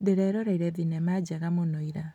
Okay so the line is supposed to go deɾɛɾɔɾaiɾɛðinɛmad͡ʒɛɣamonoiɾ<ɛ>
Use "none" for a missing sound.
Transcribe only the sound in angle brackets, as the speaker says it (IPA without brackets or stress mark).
a